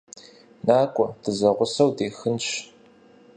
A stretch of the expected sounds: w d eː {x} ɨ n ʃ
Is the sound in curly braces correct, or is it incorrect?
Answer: correct